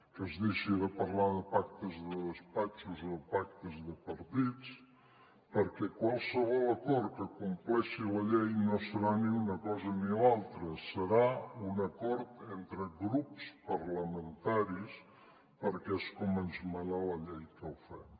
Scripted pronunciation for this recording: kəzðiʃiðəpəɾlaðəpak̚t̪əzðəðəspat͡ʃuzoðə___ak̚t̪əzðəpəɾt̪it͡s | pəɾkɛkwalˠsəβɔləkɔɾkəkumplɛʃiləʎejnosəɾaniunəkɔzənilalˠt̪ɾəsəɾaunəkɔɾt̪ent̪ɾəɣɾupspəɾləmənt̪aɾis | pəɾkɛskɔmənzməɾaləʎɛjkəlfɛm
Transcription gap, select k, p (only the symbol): p